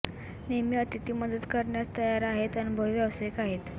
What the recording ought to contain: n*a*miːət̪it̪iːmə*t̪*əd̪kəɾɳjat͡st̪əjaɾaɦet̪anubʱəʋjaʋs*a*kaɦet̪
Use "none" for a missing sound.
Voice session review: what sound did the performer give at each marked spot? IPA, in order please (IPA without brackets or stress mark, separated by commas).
e, d̪, e